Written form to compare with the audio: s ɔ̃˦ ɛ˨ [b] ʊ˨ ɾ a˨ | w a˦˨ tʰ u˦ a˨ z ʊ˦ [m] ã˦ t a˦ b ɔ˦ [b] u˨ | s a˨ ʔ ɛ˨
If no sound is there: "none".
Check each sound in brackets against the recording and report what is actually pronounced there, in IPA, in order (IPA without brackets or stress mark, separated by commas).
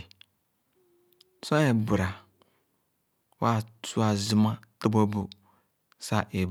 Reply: b, m, b